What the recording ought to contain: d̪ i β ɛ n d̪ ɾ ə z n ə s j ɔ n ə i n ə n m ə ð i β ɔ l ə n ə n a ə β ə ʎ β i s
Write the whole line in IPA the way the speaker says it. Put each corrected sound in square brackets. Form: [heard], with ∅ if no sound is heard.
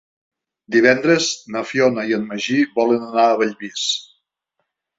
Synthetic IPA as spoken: d̪ i β ɛ n d̪ ɾ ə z n ə [f] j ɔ n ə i [∅] ə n m ə [ʒ] i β ɔ l ə n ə n a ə β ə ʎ β i s